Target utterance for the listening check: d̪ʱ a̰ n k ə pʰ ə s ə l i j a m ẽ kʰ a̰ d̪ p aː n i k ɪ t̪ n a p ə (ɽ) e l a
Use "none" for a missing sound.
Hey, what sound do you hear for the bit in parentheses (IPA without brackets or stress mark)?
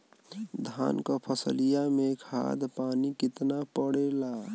ɽ